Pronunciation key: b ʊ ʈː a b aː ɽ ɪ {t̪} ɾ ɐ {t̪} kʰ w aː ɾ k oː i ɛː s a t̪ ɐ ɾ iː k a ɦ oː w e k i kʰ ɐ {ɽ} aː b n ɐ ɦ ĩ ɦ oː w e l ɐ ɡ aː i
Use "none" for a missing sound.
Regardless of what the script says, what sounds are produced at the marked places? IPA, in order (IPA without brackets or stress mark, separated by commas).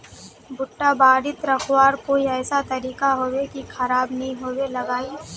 t̪, none, ɾ